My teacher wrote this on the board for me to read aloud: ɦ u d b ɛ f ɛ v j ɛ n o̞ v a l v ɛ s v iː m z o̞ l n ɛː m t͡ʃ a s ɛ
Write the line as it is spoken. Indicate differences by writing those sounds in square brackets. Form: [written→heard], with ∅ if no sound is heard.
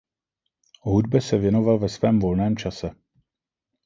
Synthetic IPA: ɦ u d b ɛ [f→s] ɛ v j ɛ n o̞ v a l v ɛ s v [iː→ɛː] m [z→v] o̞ l n ɛː m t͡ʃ a s ɛ